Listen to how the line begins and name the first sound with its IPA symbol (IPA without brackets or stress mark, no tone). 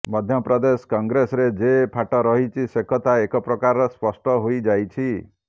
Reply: m